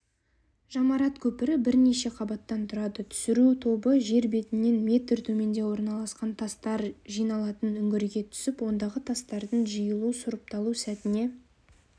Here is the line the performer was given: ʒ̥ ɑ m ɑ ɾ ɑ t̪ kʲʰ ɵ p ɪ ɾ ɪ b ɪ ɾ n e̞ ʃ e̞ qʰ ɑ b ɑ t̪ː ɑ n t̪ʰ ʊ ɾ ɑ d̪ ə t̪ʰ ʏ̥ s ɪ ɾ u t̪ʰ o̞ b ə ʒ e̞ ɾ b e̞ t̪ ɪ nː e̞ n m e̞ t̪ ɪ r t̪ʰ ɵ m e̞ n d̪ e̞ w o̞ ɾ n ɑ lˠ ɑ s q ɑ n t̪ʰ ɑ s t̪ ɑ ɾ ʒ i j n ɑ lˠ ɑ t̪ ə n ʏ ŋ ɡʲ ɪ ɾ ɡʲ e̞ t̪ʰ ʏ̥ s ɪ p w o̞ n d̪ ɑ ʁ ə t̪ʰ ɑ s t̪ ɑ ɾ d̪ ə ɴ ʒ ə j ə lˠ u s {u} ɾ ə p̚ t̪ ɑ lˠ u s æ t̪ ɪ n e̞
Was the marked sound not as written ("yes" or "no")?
yes